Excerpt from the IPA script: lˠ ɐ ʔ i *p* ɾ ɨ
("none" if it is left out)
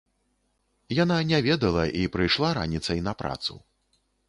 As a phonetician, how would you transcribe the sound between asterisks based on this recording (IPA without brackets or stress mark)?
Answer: p